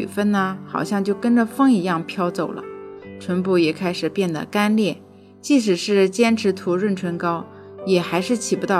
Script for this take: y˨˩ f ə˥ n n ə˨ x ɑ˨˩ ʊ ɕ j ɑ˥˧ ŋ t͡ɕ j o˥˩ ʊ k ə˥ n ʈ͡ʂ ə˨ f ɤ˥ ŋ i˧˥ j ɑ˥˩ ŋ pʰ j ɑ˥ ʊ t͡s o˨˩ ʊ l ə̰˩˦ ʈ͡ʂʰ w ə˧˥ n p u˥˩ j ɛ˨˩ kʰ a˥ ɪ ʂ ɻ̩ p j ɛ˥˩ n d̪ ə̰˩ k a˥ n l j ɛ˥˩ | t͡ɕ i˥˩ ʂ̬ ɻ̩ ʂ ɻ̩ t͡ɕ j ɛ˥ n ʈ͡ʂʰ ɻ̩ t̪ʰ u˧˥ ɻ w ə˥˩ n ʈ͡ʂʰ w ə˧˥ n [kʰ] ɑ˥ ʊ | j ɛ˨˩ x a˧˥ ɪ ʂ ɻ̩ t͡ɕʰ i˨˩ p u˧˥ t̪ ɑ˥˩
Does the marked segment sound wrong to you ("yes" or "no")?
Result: yes